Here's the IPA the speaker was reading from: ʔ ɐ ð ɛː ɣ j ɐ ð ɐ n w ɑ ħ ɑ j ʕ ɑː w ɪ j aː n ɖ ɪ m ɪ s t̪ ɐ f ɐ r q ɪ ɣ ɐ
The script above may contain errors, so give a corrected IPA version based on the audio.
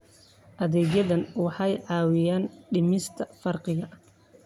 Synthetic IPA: ʔ ɐ ð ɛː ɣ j ɐ ð ɐ n w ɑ ħ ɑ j ʕ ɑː w ɪ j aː n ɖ ɪ m ɪ s t̪ʰ ɐ f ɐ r q ɪ ɣ ɐ

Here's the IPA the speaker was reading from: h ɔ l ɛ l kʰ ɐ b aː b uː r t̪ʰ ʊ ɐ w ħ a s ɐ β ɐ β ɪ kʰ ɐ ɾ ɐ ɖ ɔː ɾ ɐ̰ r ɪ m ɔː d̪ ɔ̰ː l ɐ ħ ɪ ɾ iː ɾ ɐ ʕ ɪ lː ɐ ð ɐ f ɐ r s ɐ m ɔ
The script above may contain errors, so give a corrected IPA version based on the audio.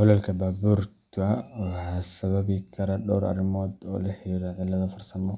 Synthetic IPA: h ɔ l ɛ l kʰ ɐ b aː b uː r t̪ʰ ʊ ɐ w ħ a s ɐ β ɐ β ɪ kʰ ɐ ɾ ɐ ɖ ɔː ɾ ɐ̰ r ɪ m ɔː d̪ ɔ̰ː l ɐ ħ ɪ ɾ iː ɾ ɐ ʕ ɪ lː ɐ ð ɐ f ɐ r s ɐ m ɔ

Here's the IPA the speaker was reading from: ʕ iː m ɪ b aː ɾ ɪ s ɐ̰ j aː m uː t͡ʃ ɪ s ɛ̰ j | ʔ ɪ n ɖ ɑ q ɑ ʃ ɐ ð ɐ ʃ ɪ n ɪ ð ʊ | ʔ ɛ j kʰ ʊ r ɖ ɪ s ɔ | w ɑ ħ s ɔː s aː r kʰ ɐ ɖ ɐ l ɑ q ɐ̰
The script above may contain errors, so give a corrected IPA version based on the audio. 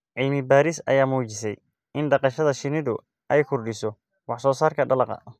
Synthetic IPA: ʕ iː m ɪ b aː ɾ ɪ s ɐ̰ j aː m uː t͡ʃ ɪ s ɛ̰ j | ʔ ɪ n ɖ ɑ q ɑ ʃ ɐ ð ɐ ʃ ɪ n ɪ ð ʊ | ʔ ɛ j kʰ ʊ r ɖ ɪ s ɔ | w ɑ ħ s ɔː s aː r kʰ ɐ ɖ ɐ l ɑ q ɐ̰

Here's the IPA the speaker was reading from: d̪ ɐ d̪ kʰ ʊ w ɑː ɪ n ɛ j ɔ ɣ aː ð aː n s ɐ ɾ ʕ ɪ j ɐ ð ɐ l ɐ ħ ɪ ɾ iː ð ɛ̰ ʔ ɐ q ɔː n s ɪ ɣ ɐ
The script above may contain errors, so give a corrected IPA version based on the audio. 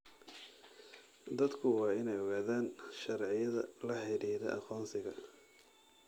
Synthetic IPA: d̪ ɐ d̪ kʰ ʊ w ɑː ɪ n ɛ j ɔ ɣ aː ð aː n ʃ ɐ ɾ ʕ ɪ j ɐ ð ɐ l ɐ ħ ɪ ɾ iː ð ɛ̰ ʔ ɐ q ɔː n s ɪ ɣ ɐ

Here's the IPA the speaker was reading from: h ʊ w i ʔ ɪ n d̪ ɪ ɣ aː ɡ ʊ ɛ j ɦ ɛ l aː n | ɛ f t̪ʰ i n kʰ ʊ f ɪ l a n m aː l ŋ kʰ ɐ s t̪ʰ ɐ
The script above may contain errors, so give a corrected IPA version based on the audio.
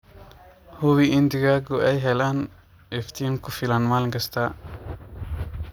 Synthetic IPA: h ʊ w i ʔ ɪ n d̪ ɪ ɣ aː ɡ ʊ ɛ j ɦ ɛ l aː n | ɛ f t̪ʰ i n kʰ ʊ f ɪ l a n m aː l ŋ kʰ ɐ s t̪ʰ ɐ

